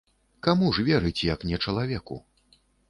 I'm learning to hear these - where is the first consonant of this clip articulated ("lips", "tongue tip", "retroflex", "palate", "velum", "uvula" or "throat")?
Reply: velum